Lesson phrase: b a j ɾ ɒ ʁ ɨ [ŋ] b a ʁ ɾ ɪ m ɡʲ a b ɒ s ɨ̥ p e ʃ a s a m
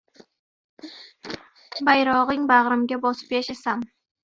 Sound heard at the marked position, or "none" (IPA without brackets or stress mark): ŋ